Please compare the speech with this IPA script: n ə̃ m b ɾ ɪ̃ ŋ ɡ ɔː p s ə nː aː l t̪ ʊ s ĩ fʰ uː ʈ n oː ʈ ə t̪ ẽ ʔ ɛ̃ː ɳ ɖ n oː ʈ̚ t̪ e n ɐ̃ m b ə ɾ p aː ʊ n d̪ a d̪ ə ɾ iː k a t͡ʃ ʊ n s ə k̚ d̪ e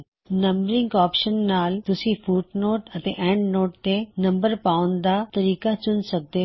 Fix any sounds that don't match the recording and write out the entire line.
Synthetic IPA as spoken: n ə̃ m b ɾ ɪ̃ ŋ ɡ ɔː p ʃ ə nː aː l t̪ ʊ s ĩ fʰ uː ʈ n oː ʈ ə t̪ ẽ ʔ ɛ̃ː ɳ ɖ n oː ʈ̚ t̪ e n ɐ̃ m b ə ɾ p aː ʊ n d̪ a t̪ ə ɾ iː k a t͡ʃ ʊ n s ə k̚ d̪ e